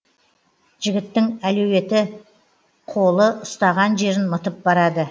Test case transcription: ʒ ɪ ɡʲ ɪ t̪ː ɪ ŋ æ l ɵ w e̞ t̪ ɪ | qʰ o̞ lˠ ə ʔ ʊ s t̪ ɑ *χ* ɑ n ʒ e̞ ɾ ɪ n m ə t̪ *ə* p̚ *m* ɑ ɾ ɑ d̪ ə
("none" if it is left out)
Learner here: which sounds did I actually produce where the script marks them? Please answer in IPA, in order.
ʁ, ə, b

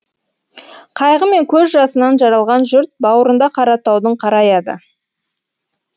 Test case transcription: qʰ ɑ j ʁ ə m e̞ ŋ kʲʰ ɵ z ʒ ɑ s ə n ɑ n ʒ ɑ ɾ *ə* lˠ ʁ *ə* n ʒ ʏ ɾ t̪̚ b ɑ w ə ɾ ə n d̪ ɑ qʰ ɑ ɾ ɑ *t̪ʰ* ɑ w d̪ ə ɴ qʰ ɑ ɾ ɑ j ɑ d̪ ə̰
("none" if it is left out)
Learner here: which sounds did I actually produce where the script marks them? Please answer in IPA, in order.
ɑ, ɑ, t̪

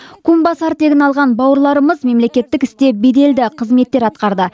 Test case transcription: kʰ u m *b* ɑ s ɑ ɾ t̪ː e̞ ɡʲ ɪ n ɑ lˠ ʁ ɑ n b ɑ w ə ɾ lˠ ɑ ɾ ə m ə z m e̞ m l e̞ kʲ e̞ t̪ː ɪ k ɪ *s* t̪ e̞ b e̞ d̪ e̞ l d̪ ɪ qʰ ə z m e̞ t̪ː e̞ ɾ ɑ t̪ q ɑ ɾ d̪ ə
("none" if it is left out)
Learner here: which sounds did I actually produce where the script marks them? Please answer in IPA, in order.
b, s

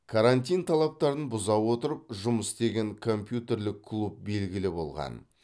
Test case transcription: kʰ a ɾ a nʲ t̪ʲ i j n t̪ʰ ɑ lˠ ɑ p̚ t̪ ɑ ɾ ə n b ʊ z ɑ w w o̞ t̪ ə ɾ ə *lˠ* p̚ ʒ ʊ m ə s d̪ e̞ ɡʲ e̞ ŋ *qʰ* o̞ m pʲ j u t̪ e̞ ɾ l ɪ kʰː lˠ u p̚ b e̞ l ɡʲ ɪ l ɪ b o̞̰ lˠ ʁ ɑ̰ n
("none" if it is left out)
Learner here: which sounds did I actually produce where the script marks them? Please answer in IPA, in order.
none, kʰ

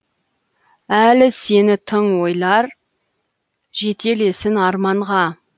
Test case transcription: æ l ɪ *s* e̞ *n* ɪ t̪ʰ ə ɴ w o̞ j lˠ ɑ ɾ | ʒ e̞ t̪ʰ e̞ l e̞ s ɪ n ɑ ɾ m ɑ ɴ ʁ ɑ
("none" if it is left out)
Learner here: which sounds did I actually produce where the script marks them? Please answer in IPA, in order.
s, n

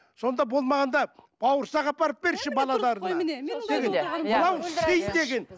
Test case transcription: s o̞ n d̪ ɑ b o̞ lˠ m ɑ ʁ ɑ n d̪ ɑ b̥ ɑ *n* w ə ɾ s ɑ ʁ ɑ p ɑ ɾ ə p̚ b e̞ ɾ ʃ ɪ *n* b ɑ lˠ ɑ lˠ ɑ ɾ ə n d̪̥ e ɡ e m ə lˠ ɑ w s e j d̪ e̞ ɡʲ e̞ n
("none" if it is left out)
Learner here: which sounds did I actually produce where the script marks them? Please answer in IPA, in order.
none, none

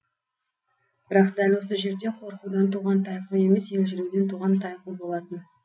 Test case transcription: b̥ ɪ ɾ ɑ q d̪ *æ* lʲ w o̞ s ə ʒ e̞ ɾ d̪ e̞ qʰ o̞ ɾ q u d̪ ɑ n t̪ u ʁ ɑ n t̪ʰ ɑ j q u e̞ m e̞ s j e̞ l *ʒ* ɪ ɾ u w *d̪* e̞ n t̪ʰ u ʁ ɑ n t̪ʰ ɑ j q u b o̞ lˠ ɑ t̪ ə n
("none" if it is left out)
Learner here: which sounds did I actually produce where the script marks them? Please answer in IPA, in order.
æ, ʒ, d̪

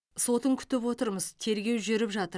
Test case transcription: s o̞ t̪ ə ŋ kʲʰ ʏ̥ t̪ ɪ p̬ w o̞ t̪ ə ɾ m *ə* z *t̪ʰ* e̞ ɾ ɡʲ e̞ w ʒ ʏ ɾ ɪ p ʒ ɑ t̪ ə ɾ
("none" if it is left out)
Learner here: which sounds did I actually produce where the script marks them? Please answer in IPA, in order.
ə, t̪ʰ

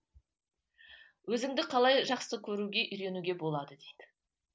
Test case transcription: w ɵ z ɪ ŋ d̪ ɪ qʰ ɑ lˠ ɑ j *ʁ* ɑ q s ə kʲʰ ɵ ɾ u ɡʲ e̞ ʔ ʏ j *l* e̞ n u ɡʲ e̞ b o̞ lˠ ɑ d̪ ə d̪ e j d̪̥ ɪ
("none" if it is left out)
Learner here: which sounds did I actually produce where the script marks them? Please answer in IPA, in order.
ʒ, ɾ

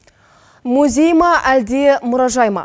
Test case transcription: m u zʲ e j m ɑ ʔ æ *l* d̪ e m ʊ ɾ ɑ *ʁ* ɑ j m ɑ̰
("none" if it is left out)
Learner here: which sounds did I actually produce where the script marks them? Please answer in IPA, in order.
l, ʒ

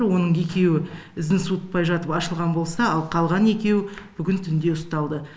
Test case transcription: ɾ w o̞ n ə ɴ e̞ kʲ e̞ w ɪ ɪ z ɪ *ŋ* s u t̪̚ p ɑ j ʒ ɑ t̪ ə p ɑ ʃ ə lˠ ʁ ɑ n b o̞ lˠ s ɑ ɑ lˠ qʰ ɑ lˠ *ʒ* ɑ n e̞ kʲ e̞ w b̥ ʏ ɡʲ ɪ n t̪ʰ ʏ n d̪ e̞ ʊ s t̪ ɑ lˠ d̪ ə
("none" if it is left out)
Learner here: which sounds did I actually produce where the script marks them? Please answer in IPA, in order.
n, ʁ

